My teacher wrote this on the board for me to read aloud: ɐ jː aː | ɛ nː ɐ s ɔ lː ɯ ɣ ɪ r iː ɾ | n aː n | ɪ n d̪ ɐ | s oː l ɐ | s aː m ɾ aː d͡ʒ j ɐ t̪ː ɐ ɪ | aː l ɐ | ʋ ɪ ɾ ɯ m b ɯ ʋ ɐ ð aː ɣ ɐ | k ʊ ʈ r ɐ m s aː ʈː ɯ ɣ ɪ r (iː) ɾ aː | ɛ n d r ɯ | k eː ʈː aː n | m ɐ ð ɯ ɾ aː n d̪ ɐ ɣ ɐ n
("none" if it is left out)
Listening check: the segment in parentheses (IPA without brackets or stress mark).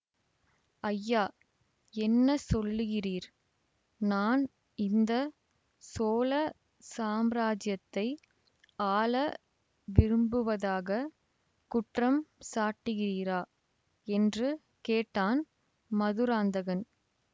iː